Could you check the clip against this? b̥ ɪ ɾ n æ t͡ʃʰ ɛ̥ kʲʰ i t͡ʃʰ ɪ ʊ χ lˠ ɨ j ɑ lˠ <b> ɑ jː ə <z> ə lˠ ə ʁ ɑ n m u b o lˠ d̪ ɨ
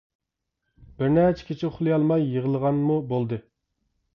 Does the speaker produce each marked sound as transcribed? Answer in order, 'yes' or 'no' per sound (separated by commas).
no, no